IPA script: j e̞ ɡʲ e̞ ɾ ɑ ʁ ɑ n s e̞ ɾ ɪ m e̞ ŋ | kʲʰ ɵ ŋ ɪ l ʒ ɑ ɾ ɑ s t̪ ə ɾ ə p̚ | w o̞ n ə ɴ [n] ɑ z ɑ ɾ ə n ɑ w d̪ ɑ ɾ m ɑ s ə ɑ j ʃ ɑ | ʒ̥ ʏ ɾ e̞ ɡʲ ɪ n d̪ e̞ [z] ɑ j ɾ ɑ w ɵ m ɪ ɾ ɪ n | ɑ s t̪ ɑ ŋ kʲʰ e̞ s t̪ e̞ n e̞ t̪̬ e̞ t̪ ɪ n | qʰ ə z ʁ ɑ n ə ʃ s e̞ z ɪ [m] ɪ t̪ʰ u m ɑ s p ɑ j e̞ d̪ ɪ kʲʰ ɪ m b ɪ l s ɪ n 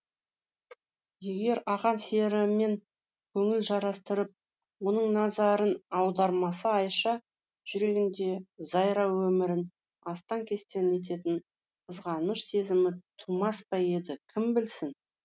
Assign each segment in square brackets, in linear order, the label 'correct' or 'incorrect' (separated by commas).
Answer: correct, correct, correct